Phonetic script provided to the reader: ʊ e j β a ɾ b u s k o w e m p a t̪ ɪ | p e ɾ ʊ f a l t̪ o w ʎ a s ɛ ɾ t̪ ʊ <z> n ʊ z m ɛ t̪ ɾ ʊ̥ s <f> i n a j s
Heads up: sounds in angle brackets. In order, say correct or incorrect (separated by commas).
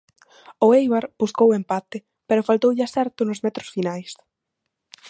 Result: incorrect, correct